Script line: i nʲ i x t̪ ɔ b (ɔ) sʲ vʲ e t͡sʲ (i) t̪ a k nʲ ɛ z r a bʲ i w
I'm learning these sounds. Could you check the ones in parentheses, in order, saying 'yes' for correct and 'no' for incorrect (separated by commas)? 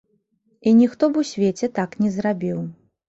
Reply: no, no